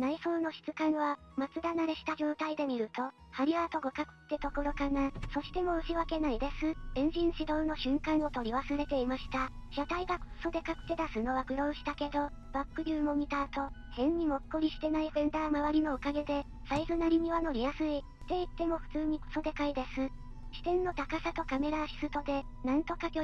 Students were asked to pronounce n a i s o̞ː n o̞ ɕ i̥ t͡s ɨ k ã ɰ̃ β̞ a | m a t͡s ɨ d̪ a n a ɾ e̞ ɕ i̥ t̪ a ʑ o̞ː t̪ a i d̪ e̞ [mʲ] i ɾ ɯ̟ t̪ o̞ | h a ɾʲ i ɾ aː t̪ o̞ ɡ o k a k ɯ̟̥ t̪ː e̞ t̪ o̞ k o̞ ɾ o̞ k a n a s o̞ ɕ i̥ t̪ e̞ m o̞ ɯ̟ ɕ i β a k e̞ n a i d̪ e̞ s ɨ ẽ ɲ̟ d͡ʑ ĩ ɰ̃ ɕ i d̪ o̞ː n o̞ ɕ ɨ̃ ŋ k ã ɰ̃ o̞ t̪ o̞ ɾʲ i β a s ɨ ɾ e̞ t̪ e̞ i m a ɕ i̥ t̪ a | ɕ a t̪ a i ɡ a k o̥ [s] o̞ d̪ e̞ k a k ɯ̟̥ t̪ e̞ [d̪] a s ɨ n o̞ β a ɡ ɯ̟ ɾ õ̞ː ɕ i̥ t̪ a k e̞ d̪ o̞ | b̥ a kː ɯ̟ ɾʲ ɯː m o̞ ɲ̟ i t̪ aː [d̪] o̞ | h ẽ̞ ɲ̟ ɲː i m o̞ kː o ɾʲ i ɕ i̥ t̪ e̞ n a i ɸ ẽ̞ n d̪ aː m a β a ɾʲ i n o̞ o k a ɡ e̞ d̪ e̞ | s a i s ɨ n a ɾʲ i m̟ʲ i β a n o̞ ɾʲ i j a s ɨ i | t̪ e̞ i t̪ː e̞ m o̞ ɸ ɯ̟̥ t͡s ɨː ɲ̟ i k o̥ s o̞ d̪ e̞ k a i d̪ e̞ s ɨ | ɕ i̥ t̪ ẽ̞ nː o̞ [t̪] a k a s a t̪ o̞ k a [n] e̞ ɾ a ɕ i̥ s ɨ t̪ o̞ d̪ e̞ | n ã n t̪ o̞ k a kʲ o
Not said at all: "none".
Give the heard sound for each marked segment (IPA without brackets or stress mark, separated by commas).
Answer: mʲ, s, d̪, t̪, t̪, m